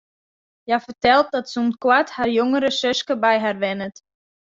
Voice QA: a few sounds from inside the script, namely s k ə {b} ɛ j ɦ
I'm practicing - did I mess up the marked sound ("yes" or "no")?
no